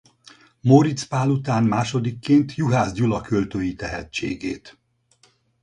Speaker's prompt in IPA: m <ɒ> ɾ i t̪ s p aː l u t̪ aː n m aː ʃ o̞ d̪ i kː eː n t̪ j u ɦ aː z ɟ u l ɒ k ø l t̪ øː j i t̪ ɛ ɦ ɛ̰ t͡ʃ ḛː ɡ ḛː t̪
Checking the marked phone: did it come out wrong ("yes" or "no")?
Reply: yes